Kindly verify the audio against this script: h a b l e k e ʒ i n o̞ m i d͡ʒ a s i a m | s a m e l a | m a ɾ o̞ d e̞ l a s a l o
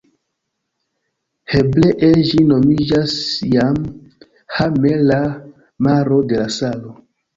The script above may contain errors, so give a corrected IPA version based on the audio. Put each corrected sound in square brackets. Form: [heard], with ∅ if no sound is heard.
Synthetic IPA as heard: h [e] b l e [ʔ] e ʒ i n o̞ m i d͡ʒ a s [j] a m | [h] a m e l a | m a ɾ o̞ d e̞ l a s a l o